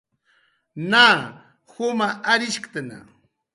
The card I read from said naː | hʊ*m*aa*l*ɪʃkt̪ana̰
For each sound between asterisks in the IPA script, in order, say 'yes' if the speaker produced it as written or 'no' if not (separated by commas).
yes, no